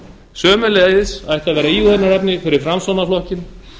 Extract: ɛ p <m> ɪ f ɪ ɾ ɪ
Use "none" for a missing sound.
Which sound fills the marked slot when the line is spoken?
n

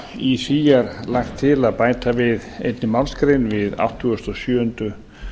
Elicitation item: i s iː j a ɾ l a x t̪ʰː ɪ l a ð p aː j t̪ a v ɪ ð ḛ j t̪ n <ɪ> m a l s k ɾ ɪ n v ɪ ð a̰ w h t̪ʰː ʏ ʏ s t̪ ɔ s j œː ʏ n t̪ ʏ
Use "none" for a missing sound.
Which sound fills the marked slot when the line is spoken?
ɪ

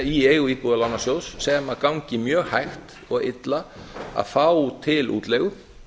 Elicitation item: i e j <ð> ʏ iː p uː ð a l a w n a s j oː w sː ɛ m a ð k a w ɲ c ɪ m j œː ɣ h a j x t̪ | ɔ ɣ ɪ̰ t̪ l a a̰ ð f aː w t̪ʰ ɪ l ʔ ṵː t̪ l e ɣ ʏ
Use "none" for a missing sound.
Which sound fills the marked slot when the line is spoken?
ɣ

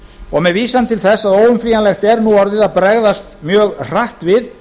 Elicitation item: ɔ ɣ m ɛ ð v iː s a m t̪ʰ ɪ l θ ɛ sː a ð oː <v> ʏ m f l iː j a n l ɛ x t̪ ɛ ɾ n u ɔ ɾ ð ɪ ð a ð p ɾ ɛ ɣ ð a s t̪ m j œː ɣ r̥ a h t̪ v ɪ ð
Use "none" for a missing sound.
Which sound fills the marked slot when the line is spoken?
w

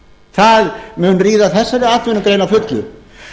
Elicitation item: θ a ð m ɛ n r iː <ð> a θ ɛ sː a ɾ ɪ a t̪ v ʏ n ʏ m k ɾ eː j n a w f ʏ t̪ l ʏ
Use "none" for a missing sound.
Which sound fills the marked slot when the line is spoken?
ð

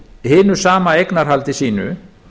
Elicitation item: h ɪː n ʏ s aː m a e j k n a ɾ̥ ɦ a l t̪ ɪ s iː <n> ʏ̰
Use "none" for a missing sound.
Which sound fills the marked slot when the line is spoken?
n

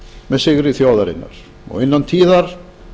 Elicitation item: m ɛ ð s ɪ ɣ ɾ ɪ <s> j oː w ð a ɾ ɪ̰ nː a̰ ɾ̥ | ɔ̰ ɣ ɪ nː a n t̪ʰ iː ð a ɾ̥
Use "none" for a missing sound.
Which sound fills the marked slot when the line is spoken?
θ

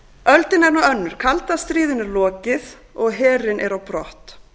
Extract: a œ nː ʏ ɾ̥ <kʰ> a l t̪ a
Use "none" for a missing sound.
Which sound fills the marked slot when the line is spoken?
kʰ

